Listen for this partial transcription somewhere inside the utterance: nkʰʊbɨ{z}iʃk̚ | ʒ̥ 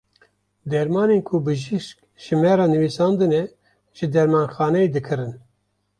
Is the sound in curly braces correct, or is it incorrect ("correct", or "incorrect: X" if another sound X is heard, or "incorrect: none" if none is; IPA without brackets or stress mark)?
incorrect: ʒ